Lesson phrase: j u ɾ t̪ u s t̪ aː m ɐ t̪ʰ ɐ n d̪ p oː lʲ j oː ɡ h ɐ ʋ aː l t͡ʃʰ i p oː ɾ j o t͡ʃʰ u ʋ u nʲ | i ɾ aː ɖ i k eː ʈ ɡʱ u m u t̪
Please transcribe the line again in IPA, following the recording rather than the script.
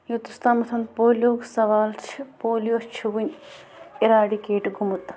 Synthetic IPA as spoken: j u t̪ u s t̪ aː m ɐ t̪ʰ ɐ n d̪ p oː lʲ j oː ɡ s ɐ ʋ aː l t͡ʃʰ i p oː l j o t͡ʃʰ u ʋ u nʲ | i ɾ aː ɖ i k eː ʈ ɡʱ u m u t̪